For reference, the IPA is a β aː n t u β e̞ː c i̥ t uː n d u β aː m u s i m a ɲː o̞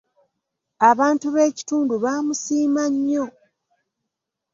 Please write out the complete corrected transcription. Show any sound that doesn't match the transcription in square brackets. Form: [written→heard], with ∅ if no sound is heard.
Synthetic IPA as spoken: a β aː n t u β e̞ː c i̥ t uː n d u β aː m u s [i→iː] m a ɲː o̞